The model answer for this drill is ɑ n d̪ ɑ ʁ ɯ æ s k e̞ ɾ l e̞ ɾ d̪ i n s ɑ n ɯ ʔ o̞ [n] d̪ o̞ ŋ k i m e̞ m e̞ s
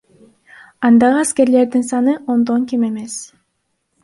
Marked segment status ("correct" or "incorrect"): correct